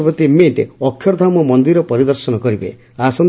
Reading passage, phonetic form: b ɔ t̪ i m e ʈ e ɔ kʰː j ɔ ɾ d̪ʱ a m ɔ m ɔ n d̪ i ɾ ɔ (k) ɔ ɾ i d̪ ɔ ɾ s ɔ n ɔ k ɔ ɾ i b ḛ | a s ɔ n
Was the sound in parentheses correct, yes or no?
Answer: no